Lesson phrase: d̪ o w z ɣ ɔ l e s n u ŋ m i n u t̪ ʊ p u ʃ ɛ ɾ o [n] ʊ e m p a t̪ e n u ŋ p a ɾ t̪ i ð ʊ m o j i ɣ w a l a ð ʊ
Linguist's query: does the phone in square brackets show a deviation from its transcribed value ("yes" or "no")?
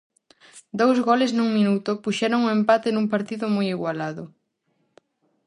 yes